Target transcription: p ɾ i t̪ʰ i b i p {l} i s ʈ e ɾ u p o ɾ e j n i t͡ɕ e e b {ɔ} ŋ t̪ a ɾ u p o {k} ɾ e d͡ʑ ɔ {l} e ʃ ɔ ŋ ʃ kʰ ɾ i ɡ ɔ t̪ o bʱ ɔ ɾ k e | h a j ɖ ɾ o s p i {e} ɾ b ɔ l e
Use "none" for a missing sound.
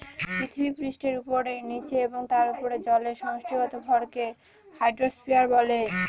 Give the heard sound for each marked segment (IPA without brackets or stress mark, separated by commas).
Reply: ɾ, o, none, l, a